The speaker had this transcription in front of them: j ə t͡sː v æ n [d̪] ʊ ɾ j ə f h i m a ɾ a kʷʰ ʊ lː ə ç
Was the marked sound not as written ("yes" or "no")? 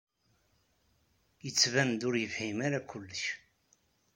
no